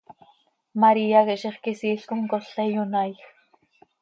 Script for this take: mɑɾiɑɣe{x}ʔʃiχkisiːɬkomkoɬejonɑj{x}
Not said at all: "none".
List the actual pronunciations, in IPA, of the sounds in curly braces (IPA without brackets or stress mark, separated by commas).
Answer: none, x